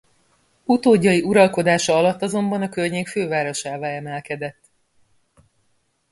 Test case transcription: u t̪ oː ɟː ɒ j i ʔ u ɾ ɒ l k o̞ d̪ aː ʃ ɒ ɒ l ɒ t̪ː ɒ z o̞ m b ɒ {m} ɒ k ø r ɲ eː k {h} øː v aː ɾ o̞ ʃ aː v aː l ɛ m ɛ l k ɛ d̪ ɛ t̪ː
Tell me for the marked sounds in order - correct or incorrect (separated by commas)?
incorrect, incorrect